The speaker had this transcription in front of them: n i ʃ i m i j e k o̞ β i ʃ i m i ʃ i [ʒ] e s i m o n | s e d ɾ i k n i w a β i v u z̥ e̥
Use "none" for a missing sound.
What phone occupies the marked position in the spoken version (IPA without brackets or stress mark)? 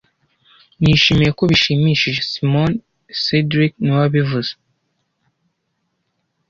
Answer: ʒ